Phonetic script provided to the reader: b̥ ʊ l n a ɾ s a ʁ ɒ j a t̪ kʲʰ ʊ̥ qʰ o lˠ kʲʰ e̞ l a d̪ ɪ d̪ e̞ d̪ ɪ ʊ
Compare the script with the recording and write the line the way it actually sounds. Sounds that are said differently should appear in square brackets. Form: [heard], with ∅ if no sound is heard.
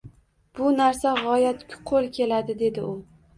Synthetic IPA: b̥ ʊ [∅] n a ɾ s a ʁ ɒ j a t̪ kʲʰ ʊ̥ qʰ o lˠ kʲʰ e̞ l a d̪ ɪ d̪ e̞ d̪ ɪ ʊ